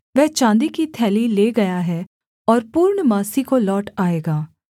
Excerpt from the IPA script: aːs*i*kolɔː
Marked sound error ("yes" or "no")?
no